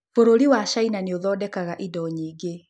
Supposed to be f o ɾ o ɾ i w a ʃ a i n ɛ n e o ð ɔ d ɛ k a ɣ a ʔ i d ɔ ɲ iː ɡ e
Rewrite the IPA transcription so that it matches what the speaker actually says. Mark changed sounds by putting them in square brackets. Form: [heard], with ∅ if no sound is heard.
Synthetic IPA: f o ɾ o ɾ i w a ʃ a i n [a] n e o ð ɔ d ɛ k a ɣ a ʔ i d ɔ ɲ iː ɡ e